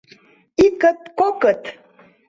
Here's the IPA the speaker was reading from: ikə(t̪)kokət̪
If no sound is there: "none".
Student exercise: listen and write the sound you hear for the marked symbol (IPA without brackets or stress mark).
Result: t̪